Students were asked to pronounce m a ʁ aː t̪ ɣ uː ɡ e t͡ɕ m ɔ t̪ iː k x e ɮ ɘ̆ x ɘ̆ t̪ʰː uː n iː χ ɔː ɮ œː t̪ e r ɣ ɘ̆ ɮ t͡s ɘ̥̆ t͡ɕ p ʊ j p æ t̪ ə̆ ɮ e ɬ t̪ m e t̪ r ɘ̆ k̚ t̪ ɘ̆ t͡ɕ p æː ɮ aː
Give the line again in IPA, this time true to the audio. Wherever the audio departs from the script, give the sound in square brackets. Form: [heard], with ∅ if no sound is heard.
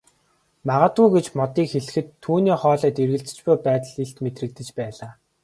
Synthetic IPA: m a ʁ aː t̪ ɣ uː ɡ e t͡ɕ m ɔ t̪ iː k x e ɮ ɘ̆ x ɘ̆ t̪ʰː uː n iː χ ɔː ɮ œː t̪ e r ɣ ɘ̆ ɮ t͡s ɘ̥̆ t͡ɕ p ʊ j p [æː] t̪ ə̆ ɮ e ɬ t̪ m e t̪ r ɘ̆ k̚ t̪ ɘ̆ t͡ɕ p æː ɮ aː